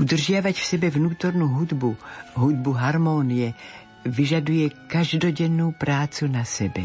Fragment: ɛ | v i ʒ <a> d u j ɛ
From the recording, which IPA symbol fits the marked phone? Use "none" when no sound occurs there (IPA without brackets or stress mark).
a